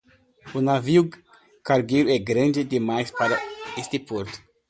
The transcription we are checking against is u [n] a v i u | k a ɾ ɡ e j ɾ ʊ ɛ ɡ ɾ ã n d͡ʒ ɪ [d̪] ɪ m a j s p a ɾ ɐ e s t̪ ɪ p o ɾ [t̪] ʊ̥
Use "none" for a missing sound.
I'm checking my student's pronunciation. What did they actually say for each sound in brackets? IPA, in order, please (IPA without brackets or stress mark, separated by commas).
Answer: n, d̪, t̪